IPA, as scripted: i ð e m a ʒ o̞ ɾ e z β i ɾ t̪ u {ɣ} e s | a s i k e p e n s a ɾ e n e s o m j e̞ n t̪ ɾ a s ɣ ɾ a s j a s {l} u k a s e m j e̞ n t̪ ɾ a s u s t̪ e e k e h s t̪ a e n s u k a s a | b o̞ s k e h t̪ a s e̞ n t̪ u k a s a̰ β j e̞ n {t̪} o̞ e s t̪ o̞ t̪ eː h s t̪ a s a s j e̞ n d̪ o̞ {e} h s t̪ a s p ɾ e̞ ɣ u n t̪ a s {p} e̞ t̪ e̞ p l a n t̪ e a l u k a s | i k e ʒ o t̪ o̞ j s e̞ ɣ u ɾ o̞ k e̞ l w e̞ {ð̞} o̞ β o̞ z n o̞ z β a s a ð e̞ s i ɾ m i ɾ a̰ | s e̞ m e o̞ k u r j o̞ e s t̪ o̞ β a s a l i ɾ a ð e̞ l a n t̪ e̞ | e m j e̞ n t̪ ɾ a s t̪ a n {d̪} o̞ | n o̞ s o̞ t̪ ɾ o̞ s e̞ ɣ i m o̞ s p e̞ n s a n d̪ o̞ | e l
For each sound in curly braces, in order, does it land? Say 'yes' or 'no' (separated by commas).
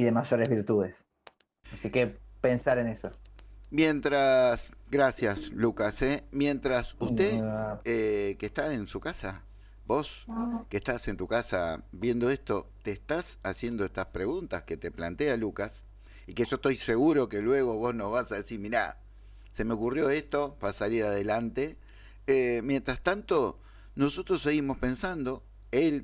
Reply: no, yes, no, yes, no, no, no